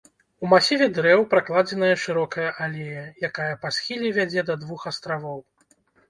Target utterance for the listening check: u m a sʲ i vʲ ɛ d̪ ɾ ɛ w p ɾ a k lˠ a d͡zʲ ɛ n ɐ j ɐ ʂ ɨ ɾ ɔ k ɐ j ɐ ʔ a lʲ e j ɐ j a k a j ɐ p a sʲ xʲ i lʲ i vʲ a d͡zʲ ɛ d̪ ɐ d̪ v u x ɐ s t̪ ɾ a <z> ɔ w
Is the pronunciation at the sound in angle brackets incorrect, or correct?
incorrect